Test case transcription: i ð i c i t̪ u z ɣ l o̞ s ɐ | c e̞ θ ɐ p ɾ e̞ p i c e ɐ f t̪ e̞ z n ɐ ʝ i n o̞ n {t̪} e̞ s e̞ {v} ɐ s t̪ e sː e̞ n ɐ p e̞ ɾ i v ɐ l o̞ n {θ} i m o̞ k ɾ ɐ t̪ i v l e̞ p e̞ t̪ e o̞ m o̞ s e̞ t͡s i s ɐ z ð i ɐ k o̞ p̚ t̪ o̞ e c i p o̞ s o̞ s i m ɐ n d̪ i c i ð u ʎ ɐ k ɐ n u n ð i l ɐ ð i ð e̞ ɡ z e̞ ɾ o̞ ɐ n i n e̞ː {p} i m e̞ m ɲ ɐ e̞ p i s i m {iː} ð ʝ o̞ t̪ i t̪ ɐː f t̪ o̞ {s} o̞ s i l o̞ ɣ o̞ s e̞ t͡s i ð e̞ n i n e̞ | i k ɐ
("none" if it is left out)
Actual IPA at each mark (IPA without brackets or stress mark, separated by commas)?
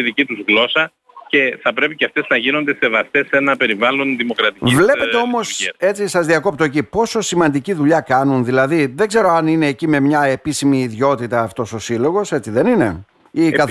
d̪, v, ð, c, iː, s